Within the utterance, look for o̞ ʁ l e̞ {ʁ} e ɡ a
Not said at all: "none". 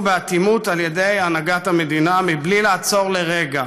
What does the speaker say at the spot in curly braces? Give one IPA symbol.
ʁ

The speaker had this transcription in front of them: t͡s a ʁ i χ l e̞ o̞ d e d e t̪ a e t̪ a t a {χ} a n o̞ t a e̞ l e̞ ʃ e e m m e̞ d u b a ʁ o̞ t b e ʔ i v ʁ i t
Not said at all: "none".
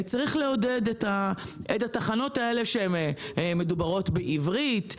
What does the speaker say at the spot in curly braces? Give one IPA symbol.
χ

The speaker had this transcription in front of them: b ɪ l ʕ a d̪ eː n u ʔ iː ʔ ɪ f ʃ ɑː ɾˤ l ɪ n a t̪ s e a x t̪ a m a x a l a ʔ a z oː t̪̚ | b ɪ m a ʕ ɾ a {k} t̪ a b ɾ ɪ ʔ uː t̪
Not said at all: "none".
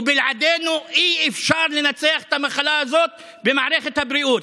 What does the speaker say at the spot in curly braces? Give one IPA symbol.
x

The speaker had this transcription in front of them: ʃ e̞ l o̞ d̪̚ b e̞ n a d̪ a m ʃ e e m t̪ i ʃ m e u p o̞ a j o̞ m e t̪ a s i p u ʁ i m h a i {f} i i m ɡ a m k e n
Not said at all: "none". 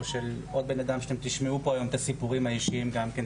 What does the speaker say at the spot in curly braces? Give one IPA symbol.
ʃ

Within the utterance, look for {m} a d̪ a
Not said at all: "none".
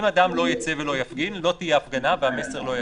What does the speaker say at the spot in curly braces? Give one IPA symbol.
m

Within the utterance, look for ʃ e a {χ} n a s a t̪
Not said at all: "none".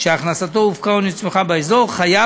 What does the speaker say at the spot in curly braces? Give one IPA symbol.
χ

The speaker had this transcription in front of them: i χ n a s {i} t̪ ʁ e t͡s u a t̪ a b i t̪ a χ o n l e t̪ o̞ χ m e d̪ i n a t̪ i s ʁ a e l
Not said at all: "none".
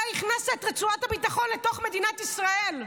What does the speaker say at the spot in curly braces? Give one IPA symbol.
e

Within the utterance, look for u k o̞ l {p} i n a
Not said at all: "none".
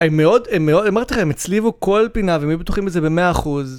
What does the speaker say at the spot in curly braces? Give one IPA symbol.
p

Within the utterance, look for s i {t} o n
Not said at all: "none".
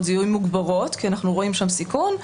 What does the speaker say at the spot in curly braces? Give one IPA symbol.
k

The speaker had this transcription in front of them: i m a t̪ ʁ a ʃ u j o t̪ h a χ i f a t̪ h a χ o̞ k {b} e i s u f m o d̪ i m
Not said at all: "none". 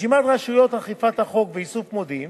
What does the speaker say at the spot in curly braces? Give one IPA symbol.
v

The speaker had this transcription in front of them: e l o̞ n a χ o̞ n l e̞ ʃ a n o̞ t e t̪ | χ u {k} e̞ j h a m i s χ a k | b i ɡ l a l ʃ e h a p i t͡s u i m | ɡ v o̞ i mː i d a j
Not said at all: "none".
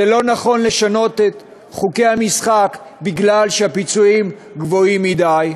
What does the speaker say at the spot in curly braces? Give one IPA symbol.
k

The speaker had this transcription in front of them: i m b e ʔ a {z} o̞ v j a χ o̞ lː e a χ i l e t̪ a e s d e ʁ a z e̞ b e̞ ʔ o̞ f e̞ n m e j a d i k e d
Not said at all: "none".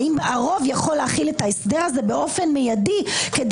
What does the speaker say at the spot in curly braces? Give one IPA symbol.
ʁ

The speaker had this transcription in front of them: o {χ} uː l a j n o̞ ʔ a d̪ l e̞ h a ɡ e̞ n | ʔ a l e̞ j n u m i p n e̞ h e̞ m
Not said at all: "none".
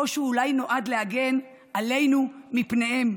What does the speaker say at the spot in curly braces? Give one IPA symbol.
ʃ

